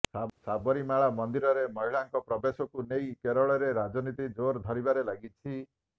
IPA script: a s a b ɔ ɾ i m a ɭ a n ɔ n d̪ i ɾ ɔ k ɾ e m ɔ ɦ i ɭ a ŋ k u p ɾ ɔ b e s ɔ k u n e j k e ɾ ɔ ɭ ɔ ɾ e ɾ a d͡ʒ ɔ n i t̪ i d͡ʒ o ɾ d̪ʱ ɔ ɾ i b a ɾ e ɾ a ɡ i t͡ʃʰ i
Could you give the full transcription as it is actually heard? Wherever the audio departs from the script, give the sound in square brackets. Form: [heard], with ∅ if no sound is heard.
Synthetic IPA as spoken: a s a b ɔ ɾ i m a ɭ a [m] ɔ n d̪ i ɾ ɔ [∅] ɾ e m ɔ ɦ i ɭ a ŋ k [ɔ] p ɾ ɔ b e s ɔ k u n e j k e ɾ ɔ ɭ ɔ ɾ e ɾ a d͡ʒ ɔ n i t̪ i d͡ʒ o ɾ d̪ʱ ɔ ɾ i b a ɾ e [l] a ɡ i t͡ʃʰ i